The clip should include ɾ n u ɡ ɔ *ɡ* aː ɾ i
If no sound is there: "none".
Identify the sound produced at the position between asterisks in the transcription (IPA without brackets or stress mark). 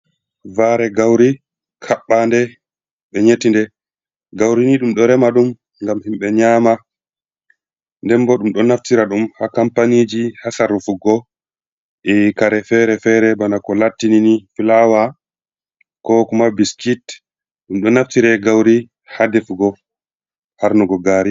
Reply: ɡ